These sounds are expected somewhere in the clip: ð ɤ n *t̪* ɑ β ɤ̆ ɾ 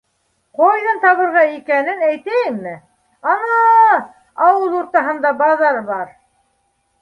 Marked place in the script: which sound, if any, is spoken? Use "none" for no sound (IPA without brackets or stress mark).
t̪